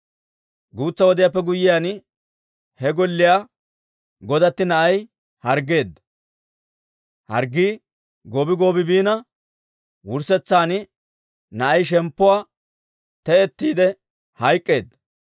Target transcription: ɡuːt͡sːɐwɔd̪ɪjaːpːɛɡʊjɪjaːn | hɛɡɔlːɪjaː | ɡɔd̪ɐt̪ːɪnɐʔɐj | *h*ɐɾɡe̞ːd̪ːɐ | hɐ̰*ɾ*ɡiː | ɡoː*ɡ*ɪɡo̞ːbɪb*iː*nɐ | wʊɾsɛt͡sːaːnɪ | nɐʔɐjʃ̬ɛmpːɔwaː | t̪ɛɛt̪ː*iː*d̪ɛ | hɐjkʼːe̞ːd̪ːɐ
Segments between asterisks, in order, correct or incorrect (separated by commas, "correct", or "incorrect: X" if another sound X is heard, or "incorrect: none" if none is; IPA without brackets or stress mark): correct, correct, incorrect: b, correct, correct